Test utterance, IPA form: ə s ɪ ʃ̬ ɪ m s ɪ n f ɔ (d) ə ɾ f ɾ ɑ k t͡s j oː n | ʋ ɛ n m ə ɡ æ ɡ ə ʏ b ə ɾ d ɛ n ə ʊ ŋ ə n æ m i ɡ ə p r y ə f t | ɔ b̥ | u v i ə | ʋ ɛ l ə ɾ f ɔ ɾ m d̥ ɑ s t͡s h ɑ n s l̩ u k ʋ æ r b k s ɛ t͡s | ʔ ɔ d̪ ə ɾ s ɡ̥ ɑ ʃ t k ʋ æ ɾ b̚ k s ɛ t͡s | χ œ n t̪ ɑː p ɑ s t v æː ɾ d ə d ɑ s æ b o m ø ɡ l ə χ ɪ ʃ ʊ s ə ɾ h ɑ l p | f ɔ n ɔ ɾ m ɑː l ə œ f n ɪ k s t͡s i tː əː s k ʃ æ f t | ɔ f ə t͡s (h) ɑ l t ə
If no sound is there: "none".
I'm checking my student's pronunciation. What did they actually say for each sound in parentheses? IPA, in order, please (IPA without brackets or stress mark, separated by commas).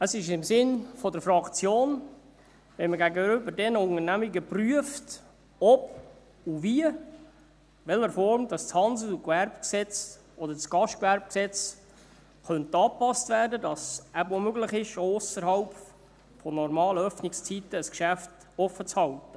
d, h